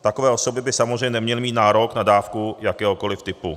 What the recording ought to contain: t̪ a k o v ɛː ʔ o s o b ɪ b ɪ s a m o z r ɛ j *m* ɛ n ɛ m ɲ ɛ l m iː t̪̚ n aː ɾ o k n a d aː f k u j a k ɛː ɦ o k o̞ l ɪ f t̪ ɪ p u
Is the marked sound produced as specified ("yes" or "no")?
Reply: no